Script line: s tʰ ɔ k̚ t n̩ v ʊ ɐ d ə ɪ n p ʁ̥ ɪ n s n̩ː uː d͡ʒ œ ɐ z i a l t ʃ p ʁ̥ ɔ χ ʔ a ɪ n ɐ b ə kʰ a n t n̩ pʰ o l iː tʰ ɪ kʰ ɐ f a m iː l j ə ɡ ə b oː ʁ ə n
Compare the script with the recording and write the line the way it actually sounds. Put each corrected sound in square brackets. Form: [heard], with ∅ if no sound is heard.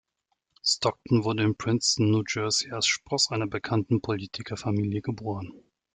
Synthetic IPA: s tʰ ɔ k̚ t n̩ v ʊ ɐ d ə ɪ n p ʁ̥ ɪ n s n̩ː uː d͡ʒ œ ɐ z i a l [s] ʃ p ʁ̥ ɔ [s] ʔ a ɪ n ɐ b ə kʰ a n t n̩ pʰ o l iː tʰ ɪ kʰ ɐ f a m iː l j ə ɡ ə b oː ʁ ə n